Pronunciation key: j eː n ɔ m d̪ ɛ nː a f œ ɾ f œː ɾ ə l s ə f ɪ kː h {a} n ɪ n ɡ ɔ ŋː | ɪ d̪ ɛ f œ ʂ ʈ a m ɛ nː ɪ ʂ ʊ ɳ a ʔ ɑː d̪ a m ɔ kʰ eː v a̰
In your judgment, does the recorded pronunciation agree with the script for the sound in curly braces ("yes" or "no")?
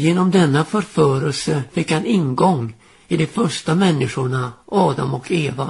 yes